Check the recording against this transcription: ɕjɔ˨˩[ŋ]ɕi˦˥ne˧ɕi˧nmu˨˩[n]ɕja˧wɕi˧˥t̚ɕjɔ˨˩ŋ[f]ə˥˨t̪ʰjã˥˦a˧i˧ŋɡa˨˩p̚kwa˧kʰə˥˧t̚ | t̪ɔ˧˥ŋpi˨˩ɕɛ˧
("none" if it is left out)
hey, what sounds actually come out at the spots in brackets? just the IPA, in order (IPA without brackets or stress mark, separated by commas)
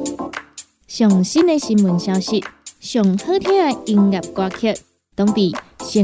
ŋ, n, h